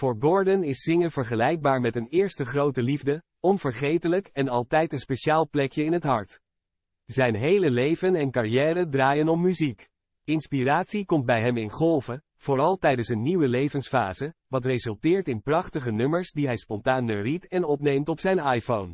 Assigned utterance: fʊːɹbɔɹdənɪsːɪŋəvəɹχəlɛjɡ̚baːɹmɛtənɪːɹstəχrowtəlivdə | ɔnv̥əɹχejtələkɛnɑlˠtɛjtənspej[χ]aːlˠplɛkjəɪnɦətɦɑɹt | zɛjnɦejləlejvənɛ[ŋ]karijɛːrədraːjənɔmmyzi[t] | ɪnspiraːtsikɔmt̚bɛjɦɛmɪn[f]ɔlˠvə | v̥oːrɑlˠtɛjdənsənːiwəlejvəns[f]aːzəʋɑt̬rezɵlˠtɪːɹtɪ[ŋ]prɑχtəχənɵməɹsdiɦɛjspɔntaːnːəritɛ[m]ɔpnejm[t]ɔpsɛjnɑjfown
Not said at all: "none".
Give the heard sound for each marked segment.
ʃ, n, k, χ, f, n, n, t

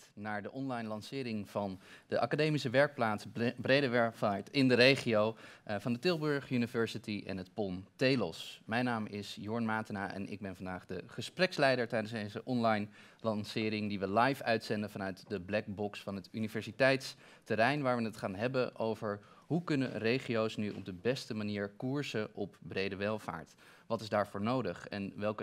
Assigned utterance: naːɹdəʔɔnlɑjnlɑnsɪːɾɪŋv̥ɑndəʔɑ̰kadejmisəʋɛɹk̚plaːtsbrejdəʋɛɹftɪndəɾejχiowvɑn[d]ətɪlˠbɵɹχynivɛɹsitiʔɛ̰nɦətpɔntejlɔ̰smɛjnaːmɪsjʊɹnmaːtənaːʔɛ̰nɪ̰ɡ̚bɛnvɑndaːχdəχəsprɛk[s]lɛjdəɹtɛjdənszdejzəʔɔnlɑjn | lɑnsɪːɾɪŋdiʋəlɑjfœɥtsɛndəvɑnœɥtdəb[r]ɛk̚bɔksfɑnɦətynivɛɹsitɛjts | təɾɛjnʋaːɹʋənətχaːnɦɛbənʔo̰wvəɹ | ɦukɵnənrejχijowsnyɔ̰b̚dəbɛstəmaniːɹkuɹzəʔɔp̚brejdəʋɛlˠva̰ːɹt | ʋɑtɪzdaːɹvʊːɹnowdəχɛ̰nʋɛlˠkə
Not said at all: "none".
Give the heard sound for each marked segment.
d, s, l

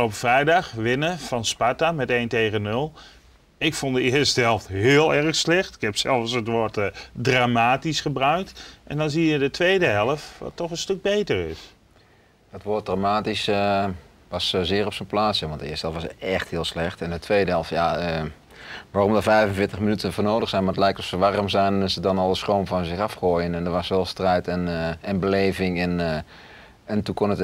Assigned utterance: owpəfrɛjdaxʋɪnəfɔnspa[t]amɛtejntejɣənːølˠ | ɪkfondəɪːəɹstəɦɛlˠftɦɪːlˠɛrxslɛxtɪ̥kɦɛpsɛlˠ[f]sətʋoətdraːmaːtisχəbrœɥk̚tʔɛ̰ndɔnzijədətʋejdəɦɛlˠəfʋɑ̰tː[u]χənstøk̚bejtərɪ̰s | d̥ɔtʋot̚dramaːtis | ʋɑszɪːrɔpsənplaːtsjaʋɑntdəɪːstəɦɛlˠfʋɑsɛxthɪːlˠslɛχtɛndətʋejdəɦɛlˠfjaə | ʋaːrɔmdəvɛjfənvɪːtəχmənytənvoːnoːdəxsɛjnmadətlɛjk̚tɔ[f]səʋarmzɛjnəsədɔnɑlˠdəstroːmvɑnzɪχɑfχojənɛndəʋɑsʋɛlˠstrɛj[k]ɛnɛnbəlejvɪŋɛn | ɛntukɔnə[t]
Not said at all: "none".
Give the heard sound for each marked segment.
t, f, ɔ, f, t, t

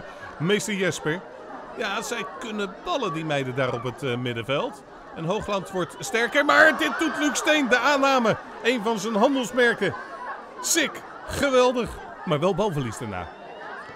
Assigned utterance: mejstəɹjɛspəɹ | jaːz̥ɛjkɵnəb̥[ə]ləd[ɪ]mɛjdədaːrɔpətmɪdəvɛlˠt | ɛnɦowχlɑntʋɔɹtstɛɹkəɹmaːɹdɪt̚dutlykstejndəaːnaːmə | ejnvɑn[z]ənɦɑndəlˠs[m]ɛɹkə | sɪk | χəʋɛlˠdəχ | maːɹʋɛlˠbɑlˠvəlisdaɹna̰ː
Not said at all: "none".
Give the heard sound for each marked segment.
ɑ, i, z, m

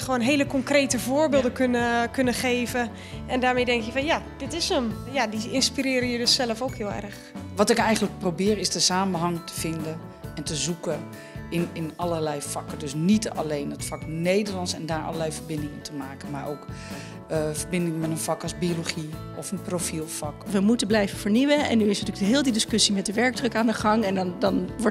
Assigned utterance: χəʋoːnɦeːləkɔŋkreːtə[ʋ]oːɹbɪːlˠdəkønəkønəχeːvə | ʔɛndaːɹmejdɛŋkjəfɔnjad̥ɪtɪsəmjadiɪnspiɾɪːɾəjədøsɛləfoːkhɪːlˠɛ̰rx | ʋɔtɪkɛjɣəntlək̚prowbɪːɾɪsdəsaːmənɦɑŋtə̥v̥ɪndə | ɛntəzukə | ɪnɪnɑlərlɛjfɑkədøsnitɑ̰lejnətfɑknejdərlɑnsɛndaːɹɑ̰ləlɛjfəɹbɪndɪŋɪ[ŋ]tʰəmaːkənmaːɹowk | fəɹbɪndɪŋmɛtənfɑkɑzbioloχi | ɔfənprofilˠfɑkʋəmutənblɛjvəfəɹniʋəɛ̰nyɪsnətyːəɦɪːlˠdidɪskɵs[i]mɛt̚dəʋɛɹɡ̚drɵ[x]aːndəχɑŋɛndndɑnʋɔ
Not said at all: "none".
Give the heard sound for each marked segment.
v, n, i, k

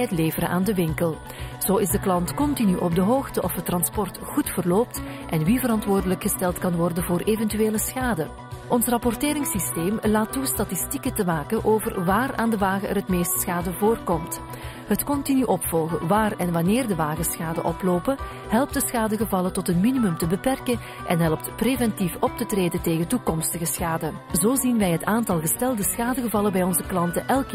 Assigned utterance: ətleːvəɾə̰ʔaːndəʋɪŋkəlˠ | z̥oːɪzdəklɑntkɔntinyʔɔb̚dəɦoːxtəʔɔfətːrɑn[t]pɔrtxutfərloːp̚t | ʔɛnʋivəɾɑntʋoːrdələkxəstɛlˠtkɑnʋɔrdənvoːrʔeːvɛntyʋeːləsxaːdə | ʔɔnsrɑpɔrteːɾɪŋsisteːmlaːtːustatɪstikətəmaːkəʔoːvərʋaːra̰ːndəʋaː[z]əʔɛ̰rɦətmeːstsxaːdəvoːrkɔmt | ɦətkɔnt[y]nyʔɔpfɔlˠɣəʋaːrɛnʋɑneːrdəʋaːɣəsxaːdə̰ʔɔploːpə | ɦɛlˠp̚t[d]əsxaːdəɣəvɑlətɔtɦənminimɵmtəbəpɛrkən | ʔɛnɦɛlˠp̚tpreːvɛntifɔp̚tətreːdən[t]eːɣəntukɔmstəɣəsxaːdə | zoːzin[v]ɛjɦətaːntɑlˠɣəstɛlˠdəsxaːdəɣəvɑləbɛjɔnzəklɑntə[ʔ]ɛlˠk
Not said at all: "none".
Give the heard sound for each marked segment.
s, ɣ, i, d, t, ʋ, ʔ

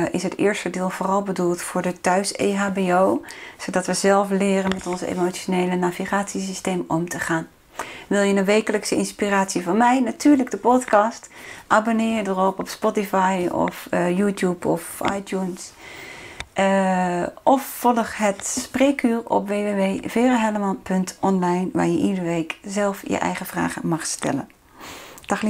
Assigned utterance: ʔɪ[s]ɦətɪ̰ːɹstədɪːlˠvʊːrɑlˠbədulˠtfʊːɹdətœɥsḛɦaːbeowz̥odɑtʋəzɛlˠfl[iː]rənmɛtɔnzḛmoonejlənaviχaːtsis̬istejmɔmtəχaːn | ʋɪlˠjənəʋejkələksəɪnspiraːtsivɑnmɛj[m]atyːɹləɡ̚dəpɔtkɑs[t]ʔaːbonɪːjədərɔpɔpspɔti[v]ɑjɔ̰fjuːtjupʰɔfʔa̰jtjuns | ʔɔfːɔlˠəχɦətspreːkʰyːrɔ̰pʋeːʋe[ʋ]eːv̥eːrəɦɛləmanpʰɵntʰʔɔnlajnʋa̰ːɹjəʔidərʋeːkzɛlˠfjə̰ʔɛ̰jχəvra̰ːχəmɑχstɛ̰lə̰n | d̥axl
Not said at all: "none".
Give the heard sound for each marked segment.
s, ɪː, n, t, f, ʋ

